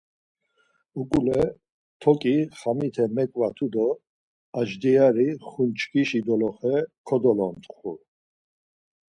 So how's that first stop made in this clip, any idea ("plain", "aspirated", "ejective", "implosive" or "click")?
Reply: ejective